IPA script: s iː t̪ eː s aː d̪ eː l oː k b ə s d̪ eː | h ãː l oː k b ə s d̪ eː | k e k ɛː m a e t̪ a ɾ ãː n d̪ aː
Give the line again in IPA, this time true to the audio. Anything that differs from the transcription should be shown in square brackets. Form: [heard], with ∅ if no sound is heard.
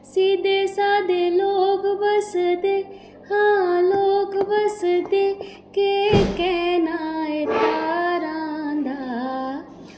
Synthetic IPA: s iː [d̪] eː s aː d̪ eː l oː k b ə s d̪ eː | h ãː l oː k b ə s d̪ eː | k e k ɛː [n] a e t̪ a ɾ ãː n d̪ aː